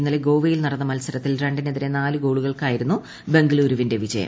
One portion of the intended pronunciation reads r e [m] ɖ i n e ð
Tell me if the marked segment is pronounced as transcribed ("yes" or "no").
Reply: no